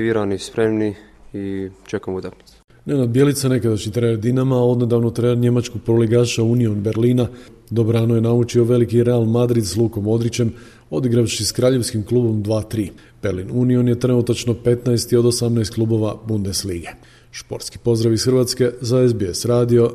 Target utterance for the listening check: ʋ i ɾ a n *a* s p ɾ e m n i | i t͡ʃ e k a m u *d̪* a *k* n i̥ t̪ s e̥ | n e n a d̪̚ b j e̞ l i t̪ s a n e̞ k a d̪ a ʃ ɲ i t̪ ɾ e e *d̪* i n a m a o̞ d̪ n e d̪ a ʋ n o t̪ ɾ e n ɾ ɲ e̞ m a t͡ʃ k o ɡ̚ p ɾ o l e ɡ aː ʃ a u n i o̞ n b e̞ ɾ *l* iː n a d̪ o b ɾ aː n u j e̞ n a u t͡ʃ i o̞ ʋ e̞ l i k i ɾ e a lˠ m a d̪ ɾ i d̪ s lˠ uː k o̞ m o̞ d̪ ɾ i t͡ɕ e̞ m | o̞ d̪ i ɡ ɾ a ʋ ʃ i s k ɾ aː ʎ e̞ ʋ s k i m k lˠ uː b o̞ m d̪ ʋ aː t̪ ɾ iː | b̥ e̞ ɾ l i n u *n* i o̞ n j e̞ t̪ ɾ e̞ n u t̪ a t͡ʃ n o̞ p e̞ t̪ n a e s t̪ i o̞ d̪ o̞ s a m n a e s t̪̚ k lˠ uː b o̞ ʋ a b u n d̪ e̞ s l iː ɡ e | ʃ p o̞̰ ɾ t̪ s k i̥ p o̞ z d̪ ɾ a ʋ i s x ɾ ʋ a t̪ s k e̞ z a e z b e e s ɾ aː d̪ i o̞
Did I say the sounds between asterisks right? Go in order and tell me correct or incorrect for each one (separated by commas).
incorrect, incorrect, correct, correct, correct, correct